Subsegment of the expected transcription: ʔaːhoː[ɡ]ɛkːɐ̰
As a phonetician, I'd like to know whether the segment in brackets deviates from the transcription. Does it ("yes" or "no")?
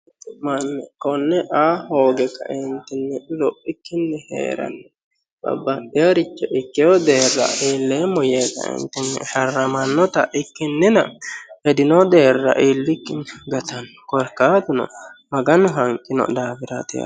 no